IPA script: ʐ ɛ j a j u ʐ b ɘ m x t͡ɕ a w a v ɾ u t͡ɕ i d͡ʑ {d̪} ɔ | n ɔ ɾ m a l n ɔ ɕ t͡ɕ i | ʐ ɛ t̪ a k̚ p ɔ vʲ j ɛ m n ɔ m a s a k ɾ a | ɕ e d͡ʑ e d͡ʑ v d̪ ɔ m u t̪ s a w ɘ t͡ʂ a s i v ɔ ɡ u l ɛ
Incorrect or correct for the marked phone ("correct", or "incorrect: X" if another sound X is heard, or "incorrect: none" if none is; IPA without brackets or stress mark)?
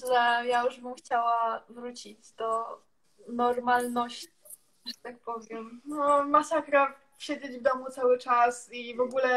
correct